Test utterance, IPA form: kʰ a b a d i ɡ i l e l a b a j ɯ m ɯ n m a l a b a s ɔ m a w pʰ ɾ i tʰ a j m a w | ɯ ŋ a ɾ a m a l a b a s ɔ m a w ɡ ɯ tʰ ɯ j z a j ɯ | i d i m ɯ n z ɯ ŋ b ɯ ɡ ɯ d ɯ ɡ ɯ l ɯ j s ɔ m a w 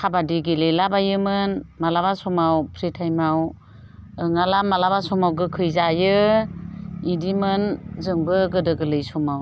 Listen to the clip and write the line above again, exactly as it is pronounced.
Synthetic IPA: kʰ a b a d i ɡ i l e l a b a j ɯ m ɯ n m a l a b a s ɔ m a w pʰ ɾ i tʰ a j m a w | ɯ ŋ a l a m a l a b a s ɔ m a w ɡ ɯ kʰ ɯ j z a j ɯ | i d i m ɯ n z ɯ ŋ b ɯ ɡ ɯ d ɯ ɡ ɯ l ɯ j s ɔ m a w